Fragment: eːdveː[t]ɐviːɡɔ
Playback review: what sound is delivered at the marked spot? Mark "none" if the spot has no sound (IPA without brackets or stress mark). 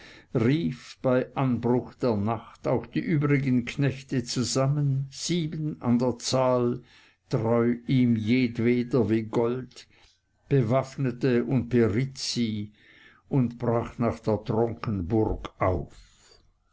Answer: d